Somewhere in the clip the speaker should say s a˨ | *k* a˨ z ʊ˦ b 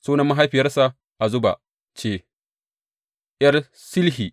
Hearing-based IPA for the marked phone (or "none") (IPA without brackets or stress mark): ʔ